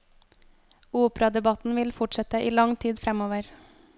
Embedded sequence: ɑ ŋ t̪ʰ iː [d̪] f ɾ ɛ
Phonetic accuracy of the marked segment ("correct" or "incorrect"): correct